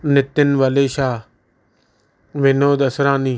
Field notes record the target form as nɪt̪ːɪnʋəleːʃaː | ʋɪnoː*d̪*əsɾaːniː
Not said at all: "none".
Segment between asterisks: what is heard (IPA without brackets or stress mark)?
d̪